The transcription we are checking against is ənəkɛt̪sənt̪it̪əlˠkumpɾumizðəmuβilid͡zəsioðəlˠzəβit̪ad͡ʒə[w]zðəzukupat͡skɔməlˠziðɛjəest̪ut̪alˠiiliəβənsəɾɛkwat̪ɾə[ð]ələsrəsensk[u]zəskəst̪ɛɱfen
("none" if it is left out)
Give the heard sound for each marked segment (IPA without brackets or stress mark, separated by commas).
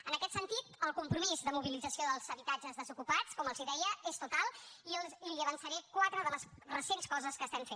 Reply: none, ð, ɔ